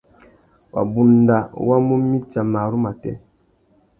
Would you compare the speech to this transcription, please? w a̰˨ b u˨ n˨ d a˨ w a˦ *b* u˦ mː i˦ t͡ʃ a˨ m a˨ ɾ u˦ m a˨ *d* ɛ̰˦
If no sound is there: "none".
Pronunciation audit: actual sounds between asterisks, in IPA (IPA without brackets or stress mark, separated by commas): m, t